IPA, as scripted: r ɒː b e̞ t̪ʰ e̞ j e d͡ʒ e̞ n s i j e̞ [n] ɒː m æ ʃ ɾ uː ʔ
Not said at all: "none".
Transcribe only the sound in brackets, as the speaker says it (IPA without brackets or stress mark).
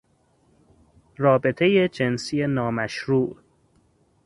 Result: n